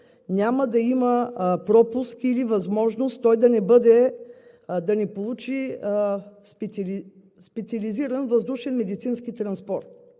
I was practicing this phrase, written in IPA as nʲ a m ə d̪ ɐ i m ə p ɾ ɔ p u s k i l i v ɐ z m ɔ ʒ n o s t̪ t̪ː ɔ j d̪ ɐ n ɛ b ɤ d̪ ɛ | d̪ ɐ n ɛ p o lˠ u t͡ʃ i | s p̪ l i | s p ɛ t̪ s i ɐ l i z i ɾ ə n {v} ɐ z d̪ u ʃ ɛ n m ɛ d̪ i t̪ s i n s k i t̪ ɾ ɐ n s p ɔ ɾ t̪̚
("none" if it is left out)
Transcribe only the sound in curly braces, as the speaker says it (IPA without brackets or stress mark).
v